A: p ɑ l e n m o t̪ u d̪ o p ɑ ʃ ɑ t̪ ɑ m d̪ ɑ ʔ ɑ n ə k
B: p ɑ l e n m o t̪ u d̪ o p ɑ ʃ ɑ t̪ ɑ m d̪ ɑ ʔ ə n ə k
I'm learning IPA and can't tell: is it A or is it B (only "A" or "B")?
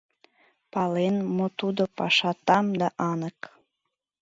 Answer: A